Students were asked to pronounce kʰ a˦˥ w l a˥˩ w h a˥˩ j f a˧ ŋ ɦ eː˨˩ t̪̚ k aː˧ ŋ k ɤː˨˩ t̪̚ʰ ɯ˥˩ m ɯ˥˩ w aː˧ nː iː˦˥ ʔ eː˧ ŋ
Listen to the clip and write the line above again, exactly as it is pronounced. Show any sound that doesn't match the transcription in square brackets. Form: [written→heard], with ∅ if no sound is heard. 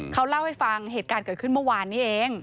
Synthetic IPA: kʰ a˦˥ w l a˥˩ w h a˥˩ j f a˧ ŋ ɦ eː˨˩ t̪̚ k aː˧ [ŋ→n] k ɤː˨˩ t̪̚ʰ ɯ˥˩ m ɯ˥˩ w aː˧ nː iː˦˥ ʔ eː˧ ŋ